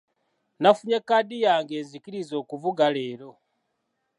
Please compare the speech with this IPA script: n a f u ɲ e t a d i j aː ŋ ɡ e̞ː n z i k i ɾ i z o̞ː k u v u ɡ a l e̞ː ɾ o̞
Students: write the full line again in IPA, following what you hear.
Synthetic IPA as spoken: n a f u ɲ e k a d i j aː ŋ ɡ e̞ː n z i k i ɾ i z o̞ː k u v u ɡ a l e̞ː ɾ o̞